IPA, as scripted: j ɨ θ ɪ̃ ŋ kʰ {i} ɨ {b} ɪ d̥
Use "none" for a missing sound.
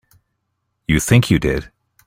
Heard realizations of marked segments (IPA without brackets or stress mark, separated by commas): j, d